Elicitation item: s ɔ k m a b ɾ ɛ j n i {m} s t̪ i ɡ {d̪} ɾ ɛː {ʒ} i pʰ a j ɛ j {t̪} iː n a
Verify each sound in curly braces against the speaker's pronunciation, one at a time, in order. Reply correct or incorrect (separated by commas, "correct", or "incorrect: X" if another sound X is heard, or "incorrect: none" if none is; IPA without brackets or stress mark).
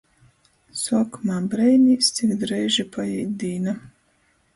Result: incorrect: none, correct, correct, incorrect: d̪